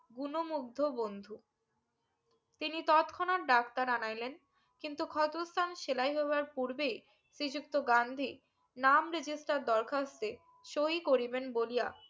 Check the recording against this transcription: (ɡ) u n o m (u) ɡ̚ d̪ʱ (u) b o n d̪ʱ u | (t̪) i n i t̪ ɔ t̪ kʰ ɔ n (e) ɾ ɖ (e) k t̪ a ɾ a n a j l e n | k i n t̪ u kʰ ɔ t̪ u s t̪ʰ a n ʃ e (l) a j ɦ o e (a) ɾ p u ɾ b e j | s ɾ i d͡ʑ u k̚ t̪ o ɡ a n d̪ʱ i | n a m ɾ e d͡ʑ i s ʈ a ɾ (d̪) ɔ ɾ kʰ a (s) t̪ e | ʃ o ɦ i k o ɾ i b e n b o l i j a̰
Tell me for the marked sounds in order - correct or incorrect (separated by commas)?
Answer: correct, correct, incorrect, correct, incorrect, incorrect, correct, correct, correct, correct